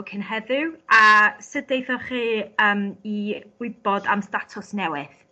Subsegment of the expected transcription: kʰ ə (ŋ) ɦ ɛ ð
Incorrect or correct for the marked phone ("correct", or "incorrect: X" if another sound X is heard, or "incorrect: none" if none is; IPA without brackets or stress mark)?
incorrect: n